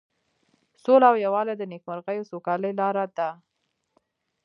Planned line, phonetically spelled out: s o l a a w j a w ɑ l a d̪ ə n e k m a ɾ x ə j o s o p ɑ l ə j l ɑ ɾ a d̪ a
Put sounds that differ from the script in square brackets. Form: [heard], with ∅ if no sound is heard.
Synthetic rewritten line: s o l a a w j a w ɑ l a d̪ ə n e k m a ɾ [ɣ] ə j o s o [k] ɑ l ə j l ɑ ɾ a d̪ a